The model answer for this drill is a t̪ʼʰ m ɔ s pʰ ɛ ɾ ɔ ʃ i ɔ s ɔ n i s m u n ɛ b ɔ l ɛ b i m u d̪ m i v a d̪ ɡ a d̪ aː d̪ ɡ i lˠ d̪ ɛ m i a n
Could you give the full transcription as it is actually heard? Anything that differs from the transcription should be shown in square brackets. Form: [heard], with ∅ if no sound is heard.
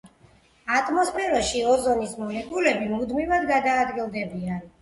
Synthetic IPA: a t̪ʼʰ m ɔ s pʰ ɛ ɾ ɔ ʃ i ɔ [z] ɔ n i s m [ɔ] n ɛ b [u] l ɛ b i m u d̪ m i v a d̪ ɡ a d̪ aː d̪ ɡ i lˠ d̪ ɛ [b] i a n